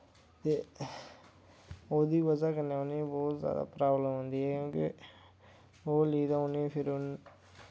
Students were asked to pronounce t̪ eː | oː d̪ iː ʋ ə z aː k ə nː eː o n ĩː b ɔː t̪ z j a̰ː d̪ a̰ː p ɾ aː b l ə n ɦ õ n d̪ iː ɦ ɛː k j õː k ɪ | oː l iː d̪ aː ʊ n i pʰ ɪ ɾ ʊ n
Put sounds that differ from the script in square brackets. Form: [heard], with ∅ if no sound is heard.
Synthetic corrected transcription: t̪ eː | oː d̪ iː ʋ ə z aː k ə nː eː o n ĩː b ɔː t̪ z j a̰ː d̪ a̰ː p ɾ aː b l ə [m] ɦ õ n d̪ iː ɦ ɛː k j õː k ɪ | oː l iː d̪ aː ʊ n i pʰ ɪ ɾ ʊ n